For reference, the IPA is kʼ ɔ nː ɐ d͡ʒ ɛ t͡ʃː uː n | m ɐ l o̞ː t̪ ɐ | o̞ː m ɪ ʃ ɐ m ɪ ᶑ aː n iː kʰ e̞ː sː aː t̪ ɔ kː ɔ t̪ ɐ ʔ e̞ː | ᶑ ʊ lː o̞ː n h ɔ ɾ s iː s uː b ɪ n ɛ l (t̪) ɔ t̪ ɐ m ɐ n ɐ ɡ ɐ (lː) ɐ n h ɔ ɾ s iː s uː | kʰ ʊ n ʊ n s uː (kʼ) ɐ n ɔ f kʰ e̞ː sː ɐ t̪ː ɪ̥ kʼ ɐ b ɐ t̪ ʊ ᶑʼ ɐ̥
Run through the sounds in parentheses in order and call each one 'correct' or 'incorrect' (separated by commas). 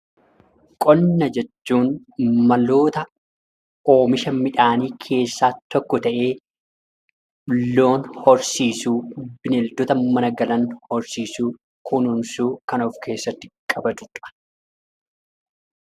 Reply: incorrect, incorrect, incorrect